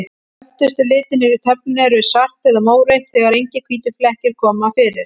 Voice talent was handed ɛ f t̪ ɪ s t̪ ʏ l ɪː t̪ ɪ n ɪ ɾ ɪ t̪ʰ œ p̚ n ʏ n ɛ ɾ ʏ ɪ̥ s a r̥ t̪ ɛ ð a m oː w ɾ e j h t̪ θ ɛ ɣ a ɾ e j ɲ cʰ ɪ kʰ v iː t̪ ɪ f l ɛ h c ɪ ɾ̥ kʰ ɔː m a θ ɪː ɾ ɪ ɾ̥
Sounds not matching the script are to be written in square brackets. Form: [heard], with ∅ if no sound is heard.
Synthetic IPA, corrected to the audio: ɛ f t̪ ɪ s t̪ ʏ l ɪː t̪ ɪ n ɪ ɾ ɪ t̪ʰ œ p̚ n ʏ n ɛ ɾ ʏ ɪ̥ s a r̥ t̪ ɛ ð a m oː w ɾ e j h t̪ θ ɛ ɣ a ɾ e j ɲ [c] ɪ kʰ v iː t̪ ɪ f l ɛ h c ɪ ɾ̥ kʰ ɔː m a [f] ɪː ɾ ɪ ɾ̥